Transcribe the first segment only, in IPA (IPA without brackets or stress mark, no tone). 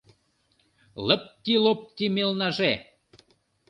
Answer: l